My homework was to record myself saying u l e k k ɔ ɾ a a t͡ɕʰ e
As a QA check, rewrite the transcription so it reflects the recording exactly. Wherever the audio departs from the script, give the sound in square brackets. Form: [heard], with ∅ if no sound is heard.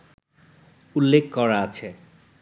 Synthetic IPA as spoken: u [lː] e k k ɔ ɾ a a t͡ɕʰ e